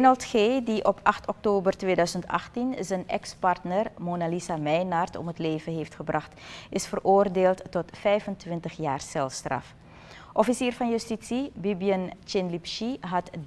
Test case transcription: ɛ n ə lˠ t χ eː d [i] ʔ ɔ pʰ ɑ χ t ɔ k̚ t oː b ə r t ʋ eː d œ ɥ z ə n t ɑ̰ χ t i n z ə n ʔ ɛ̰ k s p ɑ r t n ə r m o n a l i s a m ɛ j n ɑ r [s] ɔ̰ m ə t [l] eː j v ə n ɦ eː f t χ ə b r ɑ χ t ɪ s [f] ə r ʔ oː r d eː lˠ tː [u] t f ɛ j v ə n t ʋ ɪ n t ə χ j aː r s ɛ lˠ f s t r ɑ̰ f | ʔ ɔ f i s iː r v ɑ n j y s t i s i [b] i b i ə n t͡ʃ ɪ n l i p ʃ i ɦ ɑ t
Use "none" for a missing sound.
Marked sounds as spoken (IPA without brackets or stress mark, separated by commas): i, t, l, f, ɔ, b